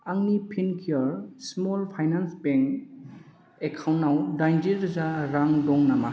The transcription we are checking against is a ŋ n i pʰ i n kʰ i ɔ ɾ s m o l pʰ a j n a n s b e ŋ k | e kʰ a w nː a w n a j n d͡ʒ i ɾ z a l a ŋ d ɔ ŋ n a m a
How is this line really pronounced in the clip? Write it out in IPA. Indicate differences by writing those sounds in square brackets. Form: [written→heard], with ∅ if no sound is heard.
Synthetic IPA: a ŋ n i pʰ i n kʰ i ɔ ɾ s m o l pʰ a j n a n s b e ŋ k | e kʰ a w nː a w [n→d] a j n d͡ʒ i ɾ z a [l→ɾ] a ŋ d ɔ ŋ n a m a

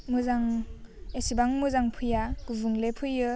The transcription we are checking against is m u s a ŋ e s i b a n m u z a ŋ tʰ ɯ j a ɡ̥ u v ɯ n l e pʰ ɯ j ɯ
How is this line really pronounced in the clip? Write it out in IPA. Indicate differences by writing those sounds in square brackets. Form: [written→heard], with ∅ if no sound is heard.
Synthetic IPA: m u [s→z] a ŋ e s i b a [n→ŋ] m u z a ŋ [tʰ→pʰ] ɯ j a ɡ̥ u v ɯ [n→ŋ] l e pʰ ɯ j ɯ

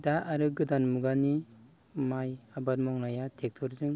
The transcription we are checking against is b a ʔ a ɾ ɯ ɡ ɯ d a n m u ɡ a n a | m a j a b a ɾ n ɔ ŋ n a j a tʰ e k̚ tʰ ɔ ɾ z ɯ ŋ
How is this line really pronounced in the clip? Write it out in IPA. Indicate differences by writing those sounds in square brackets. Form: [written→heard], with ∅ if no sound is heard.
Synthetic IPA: [b→d] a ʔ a ɾ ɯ ɡ ɯ d a n m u ɡ a n [a→i] | m a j a b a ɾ [n→m] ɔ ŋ n a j a tʰ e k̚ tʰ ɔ ɾ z ɯ ŋ

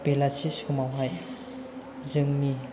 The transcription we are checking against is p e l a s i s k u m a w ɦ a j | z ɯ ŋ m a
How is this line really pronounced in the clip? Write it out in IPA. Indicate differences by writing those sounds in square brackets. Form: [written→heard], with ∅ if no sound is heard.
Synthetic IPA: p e l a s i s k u m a w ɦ a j | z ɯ ŋ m [a→i]

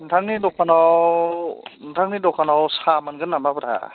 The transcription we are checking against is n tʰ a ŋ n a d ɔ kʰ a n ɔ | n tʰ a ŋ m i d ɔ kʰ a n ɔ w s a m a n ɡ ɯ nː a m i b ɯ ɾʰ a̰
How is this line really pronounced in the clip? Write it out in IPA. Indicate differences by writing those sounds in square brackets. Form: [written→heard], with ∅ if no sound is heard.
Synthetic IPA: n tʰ a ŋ n [a→i] d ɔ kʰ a n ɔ | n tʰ a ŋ [m→n] i d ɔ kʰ a n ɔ w s a m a n ɡ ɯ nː a m [i→a] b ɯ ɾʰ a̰

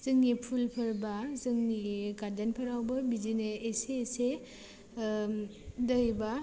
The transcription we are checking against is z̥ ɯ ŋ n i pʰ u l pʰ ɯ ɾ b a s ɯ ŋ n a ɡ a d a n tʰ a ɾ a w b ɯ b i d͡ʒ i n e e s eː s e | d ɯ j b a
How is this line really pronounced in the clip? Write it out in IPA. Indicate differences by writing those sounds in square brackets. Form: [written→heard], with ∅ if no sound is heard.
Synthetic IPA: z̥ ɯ ŋ n i pʰ u l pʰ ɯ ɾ b a [s→z] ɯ ŋ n [a→i] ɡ a d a n [tʰ→pʰ] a ɾ a w b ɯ b i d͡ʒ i n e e s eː s e | d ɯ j b a

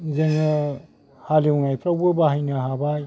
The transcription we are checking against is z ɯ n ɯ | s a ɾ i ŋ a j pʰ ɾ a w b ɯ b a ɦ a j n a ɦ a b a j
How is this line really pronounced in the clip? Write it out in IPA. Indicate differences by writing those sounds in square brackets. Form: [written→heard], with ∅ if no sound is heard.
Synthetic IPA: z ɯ [n→ŋ] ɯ | [s→h] a [ɾ→l] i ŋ a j pʰ ɾ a w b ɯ b a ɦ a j n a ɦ a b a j

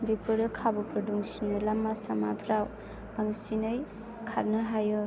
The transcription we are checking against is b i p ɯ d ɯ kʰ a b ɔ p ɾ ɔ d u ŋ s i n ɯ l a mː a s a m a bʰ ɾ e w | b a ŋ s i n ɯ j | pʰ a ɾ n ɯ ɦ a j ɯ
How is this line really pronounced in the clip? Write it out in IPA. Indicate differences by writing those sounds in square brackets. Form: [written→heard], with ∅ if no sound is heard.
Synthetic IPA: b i p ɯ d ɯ kʰ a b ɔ p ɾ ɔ d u ŋ s i n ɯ l a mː a s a m a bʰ ɾ [e→a] w | b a ŋ s i n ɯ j | [pʰ→kʰ] a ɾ n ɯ ɦ a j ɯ

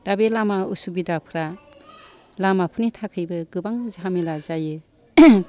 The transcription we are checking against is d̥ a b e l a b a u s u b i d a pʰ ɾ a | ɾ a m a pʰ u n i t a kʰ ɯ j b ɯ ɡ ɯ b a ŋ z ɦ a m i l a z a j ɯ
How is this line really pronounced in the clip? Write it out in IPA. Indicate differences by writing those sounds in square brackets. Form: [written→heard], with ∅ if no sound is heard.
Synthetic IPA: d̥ a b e l a [b→m] a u s u b i d a pʰ ɾ a | [ɾ→l] a m a pʰ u n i [t→tʰ] a kʰ ɯ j b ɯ ɡ ɯ b a ŋ z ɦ a m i l a z a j ɯ

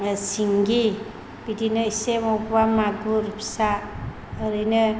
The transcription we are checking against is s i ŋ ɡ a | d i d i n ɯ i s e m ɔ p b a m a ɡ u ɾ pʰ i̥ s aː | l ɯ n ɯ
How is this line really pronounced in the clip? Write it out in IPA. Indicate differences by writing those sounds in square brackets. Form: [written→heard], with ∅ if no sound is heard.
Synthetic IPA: s i ŋ ɡ [a→i] | [d→b] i d i n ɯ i s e m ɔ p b a m a ɡ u ɾ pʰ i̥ s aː | [l→ɾ] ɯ n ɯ

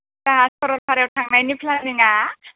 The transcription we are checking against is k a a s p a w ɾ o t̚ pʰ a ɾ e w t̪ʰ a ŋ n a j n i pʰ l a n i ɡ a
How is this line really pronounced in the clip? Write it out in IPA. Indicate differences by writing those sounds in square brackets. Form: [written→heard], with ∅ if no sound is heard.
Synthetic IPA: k a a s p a [w→∅] ɾ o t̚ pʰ a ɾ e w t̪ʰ a ŋ n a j n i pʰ l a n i [ɡ→ŋ] a

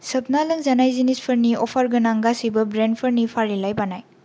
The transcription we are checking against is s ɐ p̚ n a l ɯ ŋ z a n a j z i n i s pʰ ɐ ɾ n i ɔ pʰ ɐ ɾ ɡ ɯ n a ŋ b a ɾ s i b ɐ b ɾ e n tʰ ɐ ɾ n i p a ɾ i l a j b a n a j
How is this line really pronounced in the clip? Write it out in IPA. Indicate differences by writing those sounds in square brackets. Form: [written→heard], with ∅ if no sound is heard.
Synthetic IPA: s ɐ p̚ n a l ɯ ŋ z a n a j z i n i s pʰ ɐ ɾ n i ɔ pʰ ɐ ɾ ɡ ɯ n a ŋ [b→ɡ] a [ɾ→∅] s i b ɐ b ɾ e n [tʰ→pʰ] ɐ ɾ n i [p→pʰ] a ɾ i l a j b a n a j

